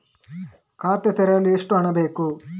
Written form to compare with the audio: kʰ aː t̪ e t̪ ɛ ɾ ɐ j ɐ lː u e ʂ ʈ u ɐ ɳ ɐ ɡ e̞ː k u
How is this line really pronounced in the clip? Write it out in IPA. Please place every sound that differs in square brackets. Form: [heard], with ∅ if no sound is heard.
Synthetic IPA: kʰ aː t̪ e t̪ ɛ ɾ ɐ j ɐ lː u e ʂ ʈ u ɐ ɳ ɐ [b] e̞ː k u